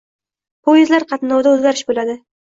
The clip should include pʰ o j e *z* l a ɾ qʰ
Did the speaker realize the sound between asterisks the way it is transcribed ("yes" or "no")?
yes